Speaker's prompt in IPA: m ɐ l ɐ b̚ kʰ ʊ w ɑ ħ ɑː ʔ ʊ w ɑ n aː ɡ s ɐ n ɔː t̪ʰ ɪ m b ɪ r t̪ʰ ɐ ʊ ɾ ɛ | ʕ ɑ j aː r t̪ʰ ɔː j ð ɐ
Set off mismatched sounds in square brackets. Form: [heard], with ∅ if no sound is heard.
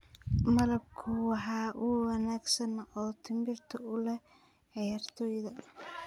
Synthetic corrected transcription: m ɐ l ɐ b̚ kʰ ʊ w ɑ ħ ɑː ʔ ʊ w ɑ n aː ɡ s ɐ n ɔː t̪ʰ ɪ m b ɪ r t̪ʰ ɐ ʊ [l] ɛ | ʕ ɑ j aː r t̪ʰ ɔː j ð ɐ